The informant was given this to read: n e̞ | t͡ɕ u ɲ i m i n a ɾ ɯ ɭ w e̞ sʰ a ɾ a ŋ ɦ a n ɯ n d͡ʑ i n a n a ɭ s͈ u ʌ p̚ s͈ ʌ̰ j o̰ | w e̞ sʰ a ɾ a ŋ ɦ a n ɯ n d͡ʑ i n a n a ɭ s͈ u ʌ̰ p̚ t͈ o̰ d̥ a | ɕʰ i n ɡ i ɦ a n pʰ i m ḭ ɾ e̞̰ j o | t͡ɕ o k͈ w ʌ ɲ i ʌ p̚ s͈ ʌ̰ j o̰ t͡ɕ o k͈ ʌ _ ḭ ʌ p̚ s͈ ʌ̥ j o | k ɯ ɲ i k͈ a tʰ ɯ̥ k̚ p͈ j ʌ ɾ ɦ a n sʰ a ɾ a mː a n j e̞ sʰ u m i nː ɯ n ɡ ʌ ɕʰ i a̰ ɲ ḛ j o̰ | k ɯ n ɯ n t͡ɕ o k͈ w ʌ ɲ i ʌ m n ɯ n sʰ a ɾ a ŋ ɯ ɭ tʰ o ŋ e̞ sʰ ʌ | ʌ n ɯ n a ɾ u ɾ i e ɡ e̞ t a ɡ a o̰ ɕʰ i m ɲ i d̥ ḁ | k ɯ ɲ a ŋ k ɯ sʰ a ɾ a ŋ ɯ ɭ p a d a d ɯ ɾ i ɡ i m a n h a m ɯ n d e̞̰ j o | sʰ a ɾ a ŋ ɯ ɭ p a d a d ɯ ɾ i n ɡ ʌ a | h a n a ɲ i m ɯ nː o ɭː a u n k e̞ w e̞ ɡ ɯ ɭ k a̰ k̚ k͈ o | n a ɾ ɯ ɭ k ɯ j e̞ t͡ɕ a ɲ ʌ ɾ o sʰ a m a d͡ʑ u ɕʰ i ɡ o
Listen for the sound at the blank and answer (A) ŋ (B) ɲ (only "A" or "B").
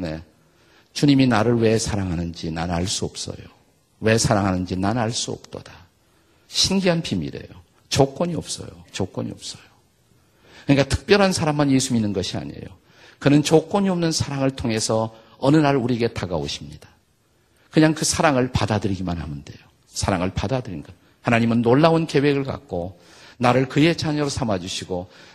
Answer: B